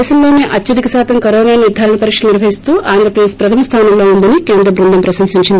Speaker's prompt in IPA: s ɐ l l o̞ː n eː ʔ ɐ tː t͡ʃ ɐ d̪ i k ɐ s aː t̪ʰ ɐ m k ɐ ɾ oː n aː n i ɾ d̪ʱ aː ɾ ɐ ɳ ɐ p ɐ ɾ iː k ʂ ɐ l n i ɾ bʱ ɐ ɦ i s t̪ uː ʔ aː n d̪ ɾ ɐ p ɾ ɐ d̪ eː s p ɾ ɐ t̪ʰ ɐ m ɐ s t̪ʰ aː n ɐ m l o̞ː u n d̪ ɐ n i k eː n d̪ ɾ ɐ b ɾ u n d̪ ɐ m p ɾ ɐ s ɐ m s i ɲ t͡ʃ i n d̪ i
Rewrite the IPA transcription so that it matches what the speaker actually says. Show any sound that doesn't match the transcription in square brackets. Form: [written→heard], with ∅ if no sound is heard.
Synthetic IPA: s ɐ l l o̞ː n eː ʔ ɐ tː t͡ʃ ɐ d̪ i k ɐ s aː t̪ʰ ɐ m k ɐ ɾ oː n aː n i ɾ d̪ʱ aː ɾ ɐ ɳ ɐ p ɐ ɾ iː k ʂ ɐ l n i ɾ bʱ ɐ ɦ i s t̪ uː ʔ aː n d̪ ɾ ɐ p ɾ ɐ d̪ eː s p ɾ ɐ t̪ʰ ɐ m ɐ s t̪ʰ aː n ɐ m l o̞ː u n d̪ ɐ n i k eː n d̪ ɾ ɐ b ɾ u n d̪ ɐ m p ɾ ɐ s ɐ m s i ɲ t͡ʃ i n d̪ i